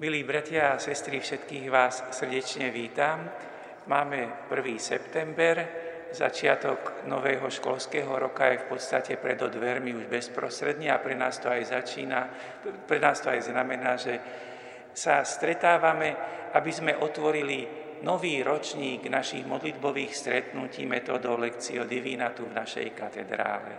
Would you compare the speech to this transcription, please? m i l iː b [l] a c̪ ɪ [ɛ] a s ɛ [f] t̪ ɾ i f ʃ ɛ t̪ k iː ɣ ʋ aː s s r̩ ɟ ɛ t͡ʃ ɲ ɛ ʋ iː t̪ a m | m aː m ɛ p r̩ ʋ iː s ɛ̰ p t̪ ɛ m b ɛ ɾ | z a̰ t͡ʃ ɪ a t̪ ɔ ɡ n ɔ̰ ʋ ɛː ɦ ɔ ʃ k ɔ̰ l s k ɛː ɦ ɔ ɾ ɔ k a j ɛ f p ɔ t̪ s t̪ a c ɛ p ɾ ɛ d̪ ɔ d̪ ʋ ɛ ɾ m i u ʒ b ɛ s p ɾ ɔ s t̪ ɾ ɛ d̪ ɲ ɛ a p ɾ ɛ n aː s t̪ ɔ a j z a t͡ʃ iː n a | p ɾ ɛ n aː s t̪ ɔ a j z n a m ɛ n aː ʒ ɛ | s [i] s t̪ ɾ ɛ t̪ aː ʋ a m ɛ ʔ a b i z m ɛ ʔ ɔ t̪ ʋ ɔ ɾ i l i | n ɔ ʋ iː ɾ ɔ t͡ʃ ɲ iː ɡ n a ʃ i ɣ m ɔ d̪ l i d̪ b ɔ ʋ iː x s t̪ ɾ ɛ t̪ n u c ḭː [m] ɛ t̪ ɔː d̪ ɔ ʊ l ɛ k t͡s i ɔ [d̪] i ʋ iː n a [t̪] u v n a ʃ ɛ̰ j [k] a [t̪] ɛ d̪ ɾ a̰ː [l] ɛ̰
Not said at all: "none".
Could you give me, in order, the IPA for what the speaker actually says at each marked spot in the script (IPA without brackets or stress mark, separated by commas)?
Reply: ɾ, a, s, a, m, d̪, t̪, k, t̪, l